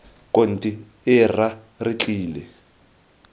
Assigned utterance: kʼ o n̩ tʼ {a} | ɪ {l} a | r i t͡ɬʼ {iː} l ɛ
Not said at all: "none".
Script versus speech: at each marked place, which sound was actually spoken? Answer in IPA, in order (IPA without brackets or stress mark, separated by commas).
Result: i, r, iː